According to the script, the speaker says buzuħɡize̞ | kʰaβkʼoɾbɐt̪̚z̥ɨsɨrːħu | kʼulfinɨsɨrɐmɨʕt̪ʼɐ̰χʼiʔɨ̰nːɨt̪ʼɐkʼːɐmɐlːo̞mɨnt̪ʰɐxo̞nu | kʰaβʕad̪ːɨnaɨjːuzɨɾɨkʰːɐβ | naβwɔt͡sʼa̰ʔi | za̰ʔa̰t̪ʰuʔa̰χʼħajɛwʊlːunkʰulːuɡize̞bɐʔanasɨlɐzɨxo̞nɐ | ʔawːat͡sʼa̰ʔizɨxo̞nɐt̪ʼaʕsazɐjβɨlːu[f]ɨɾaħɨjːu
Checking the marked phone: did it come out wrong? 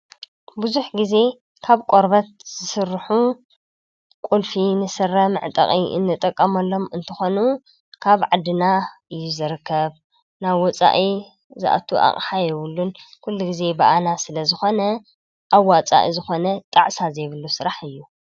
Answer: yes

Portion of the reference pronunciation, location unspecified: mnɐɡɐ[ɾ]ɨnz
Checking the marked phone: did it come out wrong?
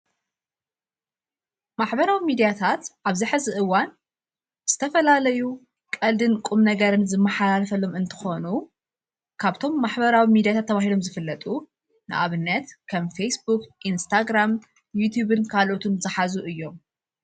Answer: no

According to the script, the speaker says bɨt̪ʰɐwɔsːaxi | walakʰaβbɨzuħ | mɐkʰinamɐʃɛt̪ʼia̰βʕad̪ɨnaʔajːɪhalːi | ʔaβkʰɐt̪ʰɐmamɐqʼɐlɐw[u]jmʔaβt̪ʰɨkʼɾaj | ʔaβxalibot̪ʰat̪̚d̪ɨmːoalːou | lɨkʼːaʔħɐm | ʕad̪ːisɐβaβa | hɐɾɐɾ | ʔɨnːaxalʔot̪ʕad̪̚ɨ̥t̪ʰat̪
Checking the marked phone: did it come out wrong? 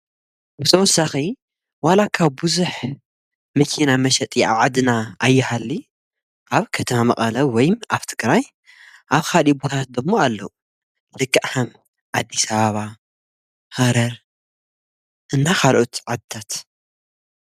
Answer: yes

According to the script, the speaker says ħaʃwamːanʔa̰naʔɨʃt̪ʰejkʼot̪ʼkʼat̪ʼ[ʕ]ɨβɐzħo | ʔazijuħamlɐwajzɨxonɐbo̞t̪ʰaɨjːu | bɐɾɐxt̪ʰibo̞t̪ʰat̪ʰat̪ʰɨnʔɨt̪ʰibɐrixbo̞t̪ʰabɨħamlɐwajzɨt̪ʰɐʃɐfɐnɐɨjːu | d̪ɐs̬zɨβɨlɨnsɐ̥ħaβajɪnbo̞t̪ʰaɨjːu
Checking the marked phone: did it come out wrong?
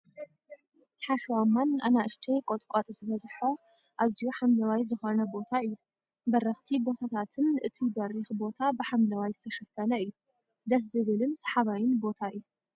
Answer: yes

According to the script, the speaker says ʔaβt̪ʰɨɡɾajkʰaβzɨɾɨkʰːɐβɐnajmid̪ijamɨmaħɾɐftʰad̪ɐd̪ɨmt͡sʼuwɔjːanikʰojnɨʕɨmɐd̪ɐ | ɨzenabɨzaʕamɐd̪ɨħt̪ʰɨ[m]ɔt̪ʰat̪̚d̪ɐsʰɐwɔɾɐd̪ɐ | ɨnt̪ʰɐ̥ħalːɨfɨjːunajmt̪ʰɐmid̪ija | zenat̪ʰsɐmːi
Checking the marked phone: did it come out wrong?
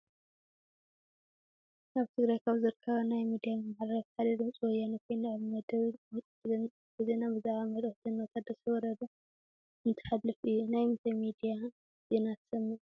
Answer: yes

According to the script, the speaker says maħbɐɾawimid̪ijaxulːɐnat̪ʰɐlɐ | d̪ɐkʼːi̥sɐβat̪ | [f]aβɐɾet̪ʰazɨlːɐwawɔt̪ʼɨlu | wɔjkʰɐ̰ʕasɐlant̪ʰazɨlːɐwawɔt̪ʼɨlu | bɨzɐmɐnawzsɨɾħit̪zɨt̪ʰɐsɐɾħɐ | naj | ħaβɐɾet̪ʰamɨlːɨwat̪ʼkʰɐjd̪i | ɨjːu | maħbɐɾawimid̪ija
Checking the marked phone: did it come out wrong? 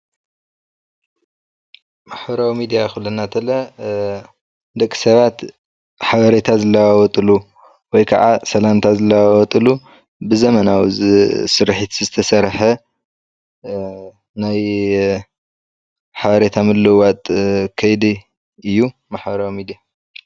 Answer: yes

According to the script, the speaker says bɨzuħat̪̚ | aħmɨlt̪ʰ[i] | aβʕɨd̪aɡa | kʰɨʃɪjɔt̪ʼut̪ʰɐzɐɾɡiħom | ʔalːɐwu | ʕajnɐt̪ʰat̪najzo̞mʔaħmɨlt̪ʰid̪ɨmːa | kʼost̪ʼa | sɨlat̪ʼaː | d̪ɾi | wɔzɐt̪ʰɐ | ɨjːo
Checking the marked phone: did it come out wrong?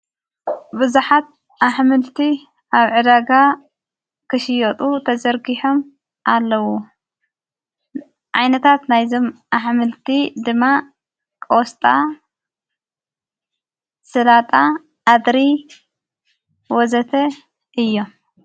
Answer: no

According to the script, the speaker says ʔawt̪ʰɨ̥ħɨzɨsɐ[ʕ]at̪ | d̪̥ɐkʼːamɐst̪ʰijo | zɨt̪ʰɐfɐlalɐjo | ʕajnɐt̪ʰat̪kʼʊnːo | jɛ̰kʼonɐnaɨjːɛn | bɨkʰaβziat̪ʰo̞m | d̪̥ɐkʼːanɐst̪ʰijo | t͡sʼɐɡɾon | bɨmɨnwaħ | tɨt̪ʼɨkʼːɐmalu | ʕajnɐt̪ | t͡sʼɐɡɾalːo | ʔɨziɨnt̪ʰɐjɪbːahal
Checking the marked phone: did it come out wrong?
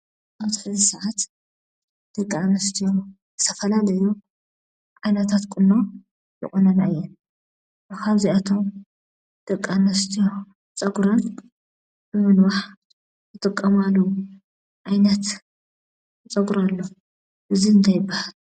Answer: no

